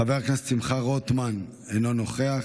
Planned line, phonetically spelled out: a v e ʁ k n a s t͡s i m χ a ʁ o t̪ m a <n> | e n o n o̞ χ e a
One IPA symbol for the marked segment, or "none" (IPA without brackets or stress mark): n